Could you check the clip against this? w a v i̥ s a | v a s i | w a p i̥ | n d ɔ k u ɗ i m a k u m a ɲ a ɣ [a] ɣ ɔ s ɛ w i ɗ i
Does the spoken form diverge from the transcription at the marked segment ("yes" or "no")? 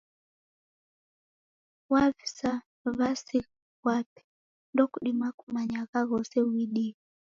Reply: no